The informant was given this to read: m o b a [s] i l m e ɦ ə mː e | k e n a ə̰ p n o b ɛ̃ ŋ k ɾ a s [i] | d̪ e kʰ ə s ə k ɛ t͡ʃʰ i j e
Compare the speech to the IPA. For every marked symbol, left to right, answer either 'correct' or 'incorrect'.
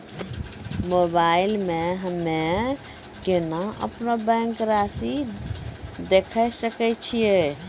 incorrect: none, correct

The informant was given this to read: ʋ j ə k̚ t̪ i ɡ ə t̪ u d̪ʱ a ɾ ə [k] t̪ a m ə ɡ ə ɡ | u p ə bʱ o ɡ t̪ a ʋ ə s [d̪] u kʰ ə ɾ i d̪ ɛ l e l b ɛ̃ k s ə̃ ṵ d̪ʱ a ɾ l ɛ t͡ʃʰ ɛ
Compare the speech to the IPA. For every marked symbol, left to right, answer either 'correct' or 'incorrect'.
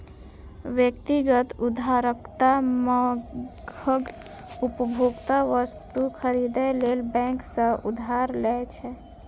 correct, incorrect: t̪

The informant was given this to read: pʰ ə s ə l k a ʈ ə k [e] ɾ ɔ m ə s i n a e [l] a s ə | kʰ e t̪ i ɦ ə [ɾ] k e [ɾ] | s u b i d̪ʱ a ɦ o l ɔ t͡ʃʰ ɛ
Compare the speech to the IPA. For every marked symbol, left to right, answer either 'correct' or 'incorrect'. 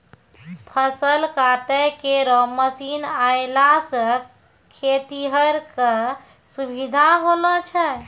correct, correct, correct, incorrect: none

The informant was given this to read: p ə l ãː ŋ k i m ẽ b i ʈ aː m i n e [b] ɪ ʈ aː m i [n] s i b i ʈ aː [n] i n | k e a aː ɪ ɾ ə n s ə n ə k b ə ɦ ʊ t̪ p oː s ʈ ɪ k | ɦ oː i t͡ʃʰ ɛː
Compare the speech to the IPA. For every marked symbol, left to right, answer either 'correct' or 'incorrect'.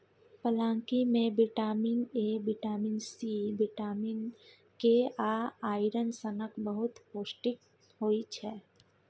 correct, correct, incorrect: m

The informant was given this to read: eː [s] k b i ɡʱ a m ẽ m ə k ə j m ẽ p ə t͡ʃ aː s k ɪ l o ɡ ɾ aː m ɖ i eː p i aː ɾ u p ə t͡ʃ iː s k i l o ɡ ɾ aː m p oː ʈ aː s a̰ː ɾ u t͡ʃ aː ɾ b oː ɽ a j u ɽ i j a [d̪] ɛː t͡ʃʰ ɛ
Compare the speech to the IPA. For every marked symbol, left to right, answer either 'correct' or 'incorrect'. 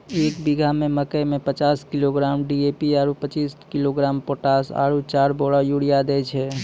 incorrect: none, correct

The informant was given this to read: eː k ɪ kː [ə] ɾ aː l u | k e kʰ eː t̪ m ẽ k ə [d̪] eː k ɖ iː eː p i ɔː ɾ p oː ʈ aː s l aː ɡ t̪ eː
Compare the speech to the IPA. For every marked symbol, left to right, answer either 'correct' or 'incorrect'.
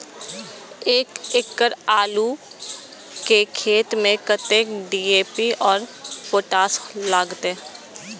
correct, incorrect: t̪

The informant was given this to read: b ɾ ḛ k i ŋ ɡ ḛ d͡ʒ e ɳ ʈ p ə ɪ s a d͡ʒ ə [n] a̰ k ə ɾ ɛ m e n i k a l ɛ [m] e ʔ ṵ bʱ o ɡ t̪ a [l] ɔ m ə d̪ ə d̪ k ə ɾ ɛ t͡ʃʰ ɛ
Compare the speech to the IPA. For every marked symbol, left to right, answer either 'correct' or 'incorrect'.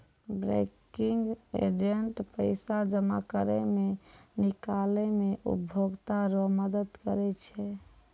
incorrect: m, correct, incorrect: ɾ

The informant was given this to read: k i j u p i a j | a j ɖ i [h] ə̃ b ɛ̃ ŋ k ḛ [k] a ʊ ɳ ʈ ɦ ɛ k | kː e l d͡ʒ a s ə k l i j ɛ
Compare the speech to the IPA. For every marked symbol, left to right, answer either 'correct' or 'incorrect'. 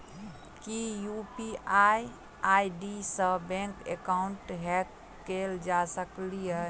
incorrect: s, correct

